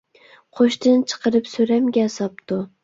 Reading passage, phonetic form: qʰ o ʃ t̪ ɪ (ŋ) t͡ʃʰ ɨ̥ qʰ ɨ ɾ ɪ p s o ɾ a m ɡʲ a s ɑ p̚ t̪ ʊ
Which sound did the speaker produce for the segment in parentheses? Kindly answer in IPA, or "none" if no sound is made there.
n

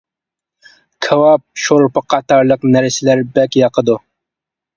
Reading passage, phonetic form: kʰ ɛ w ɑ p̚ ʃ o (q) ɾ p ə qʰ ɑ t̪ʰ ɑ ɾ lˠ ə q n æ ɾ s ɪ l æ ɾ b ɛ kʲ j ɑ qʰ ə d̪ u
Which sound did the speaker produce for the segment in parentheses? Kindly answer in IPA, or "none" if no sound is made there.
none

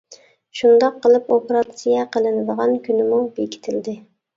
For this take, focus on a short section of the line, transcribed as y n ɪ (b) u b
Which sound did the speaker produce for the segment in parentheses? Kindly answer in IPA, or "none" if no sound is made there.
m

